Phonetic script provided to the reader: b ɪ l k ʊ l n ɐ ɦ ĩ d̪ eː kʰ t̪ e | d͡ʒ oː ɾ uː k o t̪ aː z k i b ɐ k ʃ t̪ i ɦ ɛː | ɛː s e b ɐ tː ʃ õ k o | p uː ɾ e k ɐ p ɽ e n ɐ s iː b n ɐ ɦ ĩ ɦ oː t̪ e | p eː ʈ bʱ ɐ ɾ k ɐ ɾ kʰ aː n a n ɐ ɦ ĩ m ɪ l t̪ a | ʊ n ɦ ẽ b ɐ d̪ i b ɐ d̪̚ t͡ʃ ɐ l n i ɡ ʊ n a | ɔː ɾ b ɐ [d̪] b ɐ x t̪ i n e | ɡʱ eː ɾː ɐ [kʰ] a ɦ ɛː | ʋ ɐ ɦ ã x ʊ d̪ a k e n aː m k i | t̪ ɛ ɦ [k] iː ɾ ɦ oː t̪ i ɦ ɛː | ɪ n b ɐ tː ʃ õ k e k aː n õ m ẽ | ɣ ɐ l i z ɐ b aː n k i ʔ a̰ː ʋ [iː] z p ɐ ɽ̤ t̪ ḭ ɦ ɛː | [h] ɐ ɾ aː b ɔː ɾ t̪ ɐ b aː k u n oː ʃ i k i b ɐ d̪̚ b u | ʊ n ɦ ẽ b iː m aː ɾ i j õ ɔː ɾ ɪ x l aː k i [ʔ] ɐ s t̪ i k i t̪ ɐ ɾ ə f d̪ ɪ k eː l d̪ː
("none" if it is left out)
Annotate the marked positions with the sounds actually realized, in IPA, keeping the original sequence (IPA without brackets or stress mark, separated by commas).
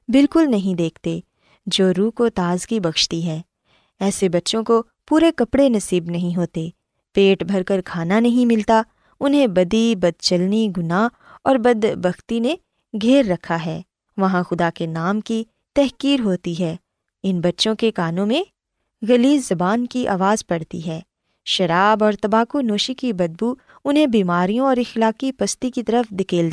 d̪, kʰ, k, aː, ʃ, p